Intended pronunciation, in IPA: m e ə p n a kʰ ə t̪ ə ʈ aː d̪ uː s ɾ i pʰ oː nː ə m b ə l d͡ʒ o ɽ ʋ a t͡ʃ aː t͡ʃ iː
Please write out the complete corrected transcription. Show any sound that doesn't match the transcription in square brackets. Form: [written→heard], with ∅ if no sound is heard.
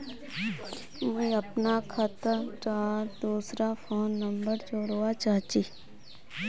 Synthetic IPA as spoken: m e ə p n a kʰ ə t̪ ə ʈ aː d̪ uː s ɾ [i→a] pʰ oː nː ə m b ə [l→ɾ] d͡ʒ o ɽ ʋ a t͡ʃ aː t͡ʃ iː